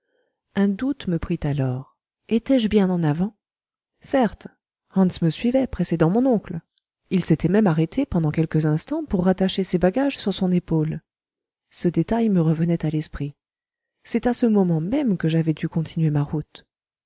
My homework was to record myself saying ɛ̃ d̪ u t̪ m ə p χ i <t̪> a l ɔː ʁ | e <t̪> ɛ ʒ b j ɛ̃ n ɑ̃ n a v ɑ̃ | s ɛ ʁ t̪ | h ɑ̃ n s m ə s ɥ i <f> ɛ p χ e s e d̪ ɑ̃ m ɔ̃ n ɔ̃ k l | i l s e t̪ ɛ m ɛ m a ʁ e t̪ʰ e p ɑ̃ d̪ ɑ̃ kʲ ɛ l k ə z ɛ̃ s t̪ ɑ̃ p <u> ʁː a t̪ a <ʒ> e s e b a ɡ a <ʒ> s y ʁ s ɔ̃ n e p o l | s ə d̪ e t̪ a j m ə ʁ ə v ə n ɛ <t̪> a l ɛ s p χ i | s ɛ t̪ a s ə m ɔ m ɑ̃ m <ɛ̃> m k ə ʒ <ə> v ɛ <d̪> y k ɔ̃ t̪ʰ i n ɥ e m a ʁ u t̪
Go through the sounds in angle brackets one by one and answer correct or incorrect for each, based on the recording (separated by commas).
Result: correct, correct, incorrect, correct, incorrect, correct, correct, incorrect, incorrect, correct